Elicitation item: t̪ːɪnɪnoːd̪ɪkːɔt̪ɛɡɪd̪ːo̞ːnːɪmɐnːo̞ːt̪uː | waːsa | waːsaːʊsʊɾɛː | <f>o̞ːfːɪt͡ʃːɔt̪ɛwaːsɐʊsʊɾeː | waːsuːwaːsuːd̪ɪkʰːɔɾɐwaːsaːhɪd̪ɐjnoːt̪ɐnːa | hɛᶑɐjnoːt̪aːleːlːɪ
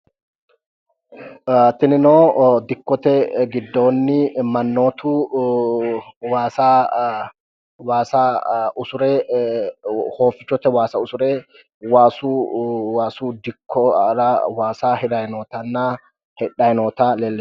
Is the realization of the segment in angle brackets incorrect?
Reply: yes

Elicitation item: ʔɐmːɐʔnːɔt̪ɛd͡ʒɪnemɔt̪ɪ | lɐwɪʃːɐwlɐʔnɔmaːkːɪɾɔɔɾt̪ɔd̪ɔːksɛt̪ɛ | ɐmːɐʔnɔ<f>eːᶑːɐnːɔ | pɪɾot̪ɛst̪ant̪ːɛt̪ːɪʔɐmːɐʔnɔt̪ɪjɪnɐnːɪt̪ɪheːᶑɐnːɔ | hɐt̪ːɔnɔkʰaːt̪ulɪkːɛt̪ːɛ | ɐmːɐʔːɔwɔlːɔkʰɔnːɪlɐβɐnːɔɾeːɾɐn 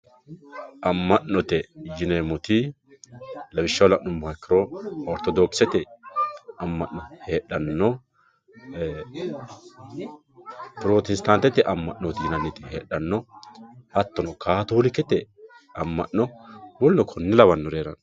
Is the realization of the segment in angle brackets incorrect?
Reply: yes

